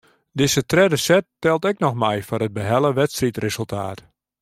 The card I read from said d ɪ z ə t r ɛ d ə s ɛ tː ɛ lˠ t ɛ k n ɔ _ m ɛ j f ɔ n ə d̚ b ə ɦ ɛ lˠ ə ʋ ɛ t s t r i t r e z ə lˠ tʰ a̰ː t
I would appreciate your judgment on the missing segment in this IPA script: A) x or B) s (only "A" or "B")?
A